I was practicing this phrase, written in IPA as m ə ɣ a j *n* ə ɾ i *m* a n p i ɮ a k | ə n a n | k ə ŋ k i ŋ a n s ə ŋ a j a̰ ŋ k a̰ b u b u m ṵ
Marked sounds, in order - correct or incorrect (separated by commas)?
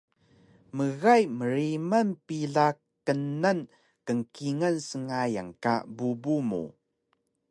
incorrect, correct